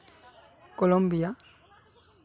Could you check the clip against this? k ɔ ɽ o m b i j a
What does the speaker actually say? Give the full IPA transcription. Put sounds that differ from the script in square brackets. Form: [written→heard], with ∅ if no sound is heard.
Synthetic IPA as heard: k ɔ [ɽ→l] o m b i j a